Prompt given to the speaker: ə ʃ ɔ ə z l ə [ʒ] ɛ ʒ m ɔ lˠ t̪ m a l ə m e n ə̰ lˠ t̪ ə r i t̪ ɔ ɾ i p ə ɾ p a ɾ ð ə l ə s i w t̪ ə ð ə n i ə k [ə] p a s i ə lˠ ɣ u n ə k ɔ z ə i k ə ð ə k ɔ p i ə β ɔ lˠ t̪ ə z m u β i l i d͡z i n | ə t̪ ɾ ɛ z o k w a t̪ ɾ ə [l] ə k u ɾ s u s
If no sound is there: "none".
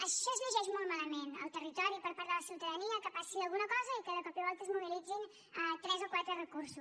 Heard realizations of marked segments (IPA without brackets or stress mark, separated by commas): ʒ, ə, r